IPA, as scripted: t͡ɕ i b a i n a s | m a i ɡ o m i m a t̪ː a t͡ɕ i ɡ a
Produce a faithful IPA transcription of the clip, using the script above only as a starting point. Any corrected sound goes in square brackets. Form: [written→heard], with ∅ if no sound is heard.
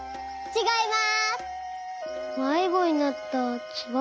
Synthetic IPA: t͡ɕ i [b→ɡ] a i [n→m] a s | m a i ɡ o [m→ɲ] i [m→n] a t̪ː a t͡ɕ i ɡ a